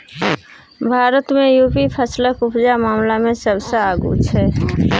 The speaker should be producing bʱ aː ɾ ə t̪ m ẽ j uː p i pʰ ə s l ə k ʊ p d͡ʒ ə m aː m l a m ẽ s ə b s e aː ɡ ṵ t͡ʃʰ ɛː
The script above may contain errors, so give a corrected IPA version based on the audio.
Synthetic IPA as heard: bʱ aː ɾ ə t̪ m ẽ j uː p i pʰ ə s l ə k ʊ p d͡ʒ a m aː m l a m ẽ s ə b s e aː ɡ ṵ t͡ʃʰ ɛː